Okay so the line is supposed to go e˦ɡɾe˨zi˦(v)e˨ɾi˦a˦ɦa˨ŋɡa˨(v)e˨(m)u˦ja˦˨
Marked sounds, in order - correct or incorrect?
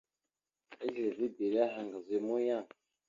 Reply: incorrect, incorrect, correct

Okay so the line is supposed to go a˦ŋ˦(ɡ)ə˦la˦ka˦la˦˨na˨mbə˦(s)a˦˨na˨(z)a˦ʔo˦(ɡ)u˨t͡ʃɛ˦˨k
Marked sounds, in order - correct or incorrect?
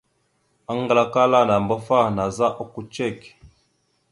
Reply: correct, incorrect, correct, incorrect

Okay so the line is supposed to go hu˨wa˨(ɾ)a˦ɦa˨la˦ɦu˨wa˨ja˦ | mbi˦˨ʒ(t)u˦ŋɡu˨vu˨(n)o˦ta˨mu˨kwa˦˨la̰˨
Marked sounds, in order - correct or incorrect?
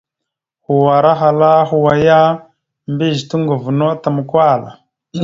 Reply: correct, correct, correct

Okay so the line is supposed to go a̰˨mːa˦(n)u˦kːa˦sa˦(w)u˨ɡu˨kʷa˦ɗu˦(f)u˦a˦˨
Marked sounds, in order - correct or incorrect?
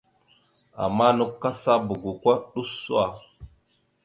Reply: correct, incorrect, incorrect

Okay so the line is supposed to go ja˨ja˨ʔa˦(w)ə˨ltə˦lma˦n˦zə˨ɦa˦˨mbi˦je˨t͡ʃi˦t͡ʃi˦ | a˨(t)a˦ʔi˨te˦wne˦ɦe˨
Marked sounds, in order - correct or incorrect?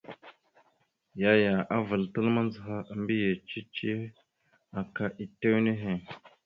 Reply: incorrect, incorrect

